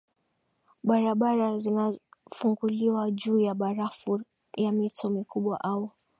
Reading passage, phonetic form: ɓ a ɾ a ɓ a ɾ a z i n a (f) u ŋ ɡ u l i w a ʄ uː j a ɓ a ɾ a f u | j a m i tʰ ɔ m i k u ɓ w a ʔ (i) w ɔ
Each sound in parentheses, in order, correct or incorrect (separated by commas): correct, incorrect